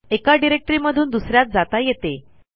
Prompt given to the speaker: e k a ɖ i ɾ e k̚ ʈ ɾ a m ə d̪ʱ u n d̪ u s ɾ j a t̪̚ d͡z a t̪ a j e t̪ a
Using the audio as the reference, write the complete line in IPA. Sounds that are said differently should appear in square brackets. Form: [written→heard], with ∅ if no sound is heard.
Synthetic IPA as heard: e k a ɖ i ɾ e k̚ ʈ ɾ [a→i] m ə d̪ʱ [u→uː] n d̪ u s ɾ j a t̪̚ d͡z a t̪ a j e t̪ [a→e]